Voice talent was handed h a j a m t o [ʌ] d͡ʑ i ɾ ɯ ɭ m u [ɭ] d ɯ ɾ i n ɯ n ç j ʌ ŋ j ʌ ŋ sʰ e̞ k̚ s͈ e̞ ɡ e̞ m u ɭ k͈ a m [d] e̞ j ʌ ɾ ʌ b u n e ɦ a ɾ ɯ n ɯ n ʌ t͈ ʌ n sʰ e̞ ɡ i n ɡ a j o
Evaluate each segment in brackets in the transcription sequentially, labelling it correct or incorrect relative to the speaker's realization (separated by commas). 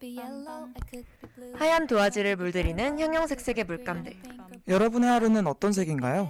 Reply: incorrect, correct, correct